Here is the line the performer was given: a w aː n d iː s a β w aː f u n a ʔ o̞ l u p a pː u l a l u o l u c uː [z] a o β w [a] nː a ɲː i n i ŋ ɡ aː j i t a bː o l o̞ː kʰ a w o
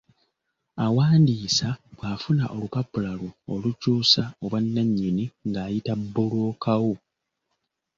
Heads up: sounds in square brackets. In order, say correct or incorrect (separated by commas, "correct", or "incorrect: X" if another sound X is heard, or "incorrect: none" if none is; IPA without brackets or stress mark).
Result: incorrect: s, correct